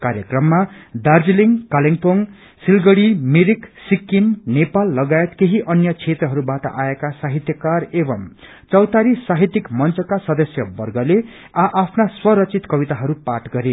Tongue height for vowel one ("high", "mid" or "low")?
low